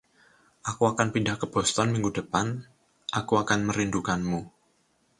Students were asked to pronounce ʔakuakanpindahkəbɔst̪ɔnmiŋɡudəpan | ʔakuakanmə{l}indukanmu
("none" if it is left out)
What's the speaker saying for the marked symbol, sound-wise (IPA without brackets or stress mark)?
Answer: ɾ